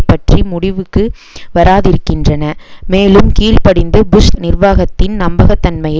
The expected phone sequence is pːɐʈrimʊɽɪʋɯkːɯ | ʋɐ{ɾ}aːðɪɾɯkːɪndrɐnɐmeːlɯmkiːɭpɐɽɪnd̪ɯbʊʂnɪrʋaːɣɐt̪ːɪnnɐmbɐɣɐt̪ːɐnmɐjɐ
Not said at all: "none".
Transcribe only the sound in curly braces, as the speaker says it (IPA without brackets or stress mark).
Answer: ɾ